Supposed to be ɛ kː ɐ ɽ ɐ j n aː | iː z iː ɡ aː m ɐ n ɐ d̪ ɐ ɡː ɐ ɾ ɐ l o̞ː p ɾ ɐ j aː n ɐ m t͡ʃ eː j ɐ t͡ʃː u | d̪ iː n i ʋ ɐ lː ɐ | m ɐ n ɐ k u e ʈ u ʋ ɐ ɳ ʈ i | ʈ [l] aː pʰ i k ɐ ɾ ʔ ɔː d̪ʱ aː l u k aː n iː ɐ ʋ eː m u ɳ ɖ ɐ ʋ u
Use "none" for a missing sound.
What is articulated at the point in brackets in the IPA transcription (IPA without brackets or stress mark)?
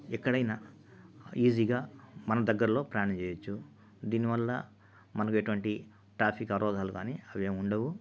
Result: ɾ